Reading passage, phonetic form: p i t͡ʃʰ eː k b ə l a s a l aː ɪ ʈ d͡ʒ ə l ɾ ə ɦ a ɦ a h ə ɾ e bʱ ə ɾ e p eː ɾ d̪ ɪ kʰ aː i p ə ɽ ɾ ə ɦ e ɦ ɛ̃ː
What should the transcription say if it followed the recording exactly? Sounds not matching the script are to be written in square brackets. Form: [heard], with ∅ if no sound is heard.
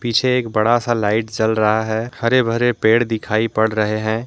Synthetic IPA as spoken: p i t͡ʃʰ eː k b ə [ɽ] a s a l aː ɪ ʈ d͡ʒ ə l ɾ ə ɦ a ɦ [ɛ] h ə ɾ e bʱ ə ɾ e p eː [ɽ] d̪ ɪ kʰ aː i p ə ɽ ɾ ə ɦ e ɦ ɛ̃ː